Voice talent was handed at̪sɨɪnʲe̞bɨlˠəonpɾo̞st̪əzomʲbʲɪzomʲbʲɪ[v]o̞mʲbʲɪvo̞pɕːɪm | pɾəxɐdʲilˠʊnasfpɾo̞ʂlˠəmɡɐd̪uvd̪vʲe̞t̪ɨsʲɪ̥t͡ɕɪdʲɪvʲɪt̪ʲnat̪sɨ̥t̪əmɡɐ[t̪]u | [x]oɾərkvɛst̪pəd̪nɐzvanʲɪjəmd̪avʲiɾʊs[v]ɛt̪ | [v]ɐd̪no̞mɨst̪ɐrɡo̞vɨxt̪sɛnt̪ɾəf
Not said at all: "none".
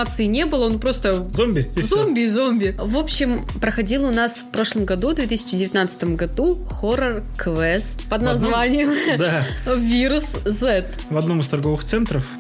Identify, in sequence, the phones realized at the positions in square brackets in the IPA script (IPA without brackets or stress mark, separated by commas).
z, d̪, x, z, v